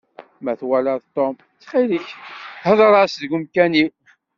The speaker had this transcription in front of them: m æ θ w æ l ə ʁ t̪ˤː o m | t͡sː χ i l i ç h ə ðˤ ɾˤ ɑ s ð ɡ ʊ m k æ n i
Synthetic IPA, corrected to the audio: m æ θ w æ l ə ð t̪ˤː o m | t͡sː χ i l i ç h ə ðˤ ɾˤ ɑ s ð ɡ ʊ m k æ n i